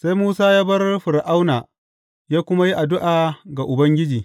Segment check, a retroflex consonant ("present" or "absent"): absent